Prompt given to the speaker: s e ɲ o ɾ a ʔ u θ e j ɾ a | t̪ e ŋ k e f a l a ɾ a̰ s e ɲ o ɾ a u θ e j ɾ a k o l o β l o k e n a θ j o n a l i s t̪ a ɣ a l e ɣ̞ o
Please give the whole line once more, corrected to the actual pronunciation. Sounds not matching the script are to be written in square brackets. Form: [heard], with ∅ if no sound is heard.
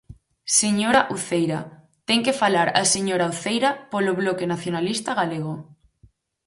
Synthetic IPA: s e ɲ o ɾ a ʔ u θ e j ɾ a | t̪ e ŋ k e f a l a ɾ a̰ s e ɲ o ɾ a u θ e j ɾ a [p] o l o β l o k e n a θ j o n a l i s t̪ a ɣ a l e ɣ̞ o